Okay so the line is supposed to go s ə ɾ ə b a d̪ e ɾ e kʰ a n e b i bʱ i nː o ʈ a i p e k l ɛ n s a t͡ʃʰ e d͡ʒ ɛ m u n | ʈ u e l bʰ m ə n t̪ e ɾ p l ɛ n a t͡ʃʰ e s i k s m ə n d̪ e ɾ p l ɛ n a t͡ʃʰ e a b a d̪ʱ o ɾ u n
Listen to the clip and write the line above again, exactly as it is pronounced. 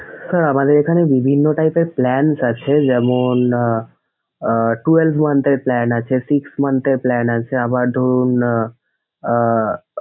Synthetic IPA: s ə ɾ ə m a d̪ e ɾ e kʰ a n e b i bʱ i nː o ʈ a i p e p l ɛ n s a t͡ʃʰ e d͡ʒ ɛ m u n | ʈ u e l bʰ m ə n t̪ e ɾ p l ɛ n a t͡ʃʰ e s i k s m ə n t̪ e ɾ p l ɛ n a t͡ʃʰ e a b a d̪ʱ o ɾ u n